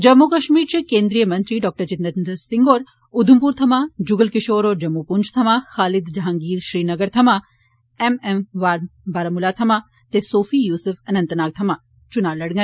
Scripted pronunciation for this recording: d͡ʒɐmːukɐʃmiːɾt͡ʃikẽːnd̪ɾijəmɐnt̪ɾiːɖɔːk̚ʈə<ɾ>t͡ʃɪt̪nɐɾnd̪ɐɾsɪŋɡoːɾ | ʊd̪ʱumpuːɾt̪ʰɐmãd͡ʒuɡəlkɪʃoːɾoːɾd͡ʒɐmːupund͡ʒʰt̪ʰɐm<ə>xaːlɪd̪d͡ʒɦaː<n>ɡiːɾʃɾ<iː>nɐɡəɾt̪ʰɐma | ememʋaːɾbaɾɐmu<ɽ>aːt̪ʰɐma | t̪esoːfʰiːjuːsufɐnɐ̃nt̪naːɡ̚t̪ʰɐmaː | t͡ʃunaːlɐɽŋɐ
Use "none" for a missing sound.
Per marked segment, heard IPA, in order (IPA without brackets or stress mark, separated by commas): ɾ, a, ŋ, iː, l